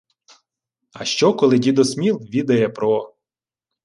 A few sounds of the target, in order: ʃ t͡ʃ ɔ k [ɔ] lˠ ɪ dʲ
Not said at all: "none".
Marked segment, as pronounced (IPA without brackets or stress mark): ɔ